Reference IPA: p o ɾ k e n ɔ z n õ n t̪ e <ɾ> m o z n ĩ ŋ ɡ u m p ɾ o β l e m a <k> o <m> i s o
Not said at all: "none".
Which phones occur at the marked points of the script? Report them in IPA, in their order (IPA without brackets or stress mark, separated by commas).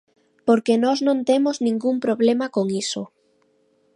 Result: none, k, ŋ